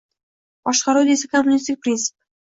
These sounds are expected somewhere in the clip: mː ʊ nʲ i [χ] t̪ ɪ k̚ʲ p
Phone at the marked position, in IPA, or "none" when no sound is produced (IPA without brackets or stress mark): s